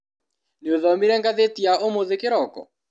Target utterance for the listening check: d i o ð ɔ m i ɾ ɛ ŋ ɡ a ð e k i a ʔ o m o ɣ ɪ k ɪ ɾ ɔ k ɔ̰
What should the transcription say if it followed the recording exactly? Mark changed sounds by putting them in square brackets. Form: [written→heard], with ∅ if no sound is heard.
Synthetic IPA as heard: [d→n] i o ð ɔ m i ɾ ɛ ŋ ɡ a ð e [k→t] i a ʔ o m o [ɣ→ð] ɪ k ɪ ɾ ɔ k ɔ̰